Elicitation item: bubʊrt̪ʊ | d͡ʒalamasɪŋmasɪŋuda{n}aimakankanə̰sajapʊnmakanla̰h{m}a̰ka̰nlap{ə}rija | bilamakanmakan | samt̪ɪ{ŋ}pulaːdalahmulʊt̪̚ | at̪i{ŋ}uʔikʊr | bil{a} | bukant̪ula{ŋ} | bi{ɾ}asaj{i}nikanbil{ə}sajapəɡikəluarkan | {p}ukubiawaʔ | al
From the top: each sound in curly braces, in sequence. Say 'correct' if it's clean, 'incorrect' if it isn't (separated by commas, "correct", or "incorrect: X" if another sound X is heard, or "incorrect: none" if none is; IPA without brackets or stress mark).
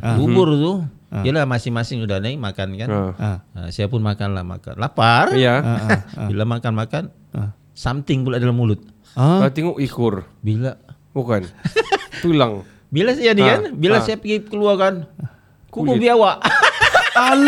correct, correct, incorrect: a, correct, correct, correct, correct, incorrect: l, incorrect: a, incorrect: a, incorrect: k